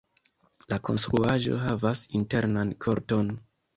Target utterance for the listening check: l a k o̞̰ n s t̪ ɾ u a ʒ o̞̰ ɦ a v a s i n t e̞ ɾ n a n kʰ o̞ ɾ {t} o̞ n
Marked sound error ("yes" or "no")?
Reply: no